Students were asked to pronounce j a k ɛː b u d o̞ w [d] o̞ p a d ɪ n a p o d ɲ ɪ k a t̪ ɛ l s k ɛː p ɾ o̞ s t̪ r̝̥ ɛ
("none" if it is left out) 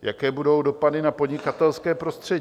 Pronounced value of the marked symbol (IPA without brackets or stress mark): d